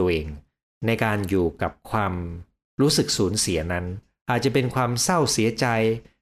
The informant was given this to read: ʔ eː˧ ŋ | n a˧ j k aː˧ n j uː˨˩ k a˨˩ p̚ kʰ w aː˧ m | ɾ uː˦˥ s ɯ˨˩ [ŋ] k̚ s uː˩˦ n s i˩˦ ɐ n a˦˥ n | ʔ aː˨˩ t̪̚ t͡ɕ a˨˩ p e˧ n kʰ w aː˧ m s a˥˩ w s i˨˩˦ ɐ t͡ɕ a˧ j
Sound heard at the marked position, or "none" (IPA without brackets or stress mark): none